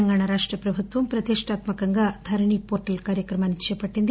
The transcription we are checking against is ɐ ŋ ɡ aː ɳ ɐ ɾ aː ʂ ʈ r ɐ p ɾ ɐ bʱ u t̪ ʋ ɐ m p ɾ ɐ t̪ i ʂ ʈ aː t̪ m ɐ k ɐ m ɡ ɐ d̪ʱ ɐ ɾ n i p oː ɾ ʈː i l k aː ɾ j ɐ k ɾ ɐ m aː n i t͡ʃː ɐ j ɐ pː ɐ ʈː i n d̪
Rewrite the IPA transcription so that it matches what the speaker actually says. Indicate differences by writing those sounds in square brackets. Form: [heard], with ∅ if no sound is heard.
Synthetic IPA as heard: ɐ ŋ ɡ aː ɳ ɐ ɾ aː ʂ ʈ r ɐ p ɾ ɐ bʱ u t̪ ʋ ɐ m p ɾ ɐ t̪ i ʂ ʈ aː t̪ m ɐ k ɐ [ŋ] ɡ ɐ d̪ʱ ɐ ɾ [ɳ] i p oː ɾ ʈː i l k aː ɾ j ɐ k ɾ ɐ m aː n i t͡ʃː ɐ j ɐ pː ɐ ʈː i n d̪